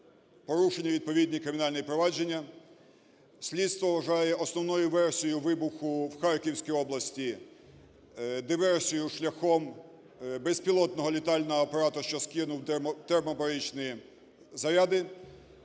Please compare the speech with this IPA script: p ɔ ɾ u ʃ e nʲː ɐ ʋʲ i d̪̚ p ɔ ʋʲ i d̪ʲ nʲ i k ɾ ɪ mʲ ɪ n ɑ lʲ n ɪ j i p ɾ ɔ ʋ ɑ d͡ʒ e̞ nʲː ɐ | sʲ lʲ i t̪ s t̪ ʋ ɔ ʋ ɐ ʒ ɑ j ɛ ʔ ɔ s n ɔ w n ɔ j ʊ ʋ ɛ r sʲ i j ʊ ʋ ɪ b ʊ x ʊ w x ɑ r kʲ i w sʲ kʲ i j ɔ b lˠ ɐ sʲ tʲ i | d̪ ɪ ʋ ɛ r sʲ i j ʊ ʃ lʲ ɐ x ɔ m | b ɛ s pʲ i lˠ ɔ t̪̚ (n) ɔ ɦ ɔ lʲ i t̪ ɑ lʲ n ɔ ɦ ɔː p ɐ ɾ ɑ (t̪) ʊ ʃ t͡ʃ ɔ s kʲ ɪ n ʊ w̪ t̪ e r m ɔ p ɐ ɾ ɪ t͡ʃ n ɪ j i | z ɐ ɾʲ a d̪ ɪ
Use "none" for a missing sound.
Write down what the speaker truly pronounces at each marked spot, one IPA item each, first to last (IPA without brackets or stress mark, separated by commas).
n, t̪